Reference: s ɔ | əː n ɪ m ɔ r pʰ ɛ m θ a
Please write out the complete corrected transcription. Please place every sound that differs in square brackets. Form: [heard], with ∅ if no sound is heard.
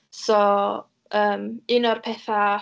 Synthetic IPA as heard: s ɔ | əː [m] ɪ [n] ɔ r pʰ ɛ [∅] θ a